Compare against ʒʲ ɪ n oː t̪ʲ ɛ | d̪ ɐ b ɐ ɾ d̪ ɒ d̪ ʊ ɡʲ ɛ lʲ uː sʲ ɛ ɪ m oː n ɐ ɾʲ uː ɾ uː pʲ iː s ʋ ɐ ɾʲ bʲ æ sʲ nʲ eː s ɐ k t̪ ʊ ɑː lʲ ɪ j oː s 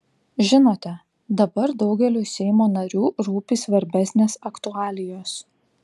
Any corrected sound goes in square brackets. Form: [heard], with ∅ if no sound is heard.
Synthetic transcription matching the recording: ʒʲ ɪ n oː t̪ʲ ɛ | d̪ ɐ b ɐ ɾ d̪ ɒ [∅] ʊ ɡʲ ɛ lʲ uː sʲ ɛ ɪ m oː n ɐ ɾʲ uː ɾ uː pʲ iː s ʋ ɐ ɾʲ bʲ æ sʲ nʲ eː s ɐ k t̪ ʊ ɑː lʲ ɪ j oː s